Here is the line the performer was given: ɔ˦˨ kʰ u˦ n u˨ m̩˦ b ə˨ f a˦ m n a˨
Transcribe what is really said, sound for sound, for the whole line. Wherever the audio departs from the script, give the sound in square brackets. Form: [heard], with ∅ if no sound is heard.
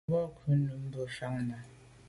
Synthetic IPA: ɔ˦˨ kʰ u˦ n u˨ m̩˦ b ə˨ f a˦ [ŋ] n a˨